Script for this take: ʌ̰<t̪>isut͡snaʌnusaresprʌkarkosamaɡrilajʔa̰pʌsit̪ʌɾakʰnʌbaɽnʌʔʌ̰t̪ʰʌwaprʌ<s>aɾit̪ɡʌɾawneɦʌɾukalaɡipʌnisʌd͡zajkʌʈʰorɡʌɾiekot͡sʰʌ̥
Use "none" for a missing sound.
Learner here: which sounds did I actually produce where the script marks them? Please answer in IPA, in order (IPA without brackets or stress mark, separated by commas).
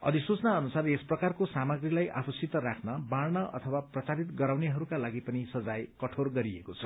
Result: d̪, t͡s